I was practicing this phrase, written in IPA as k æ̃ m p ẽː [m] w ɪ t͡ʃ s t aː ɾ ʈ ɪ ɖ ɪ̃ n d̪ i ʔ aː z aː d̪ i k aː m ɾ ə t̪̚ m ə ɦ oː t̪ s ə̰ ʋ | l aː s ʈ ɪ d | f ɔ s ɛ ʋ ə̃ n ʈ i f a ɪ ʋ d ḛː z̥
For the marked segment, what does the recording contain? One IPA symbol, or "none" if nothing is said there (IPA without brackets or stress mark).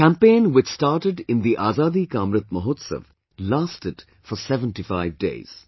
n